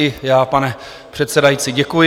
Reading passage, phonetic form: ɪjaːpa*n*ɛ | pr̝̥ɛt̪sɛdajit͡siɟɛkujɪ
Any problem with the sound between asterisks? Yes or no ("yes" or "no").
no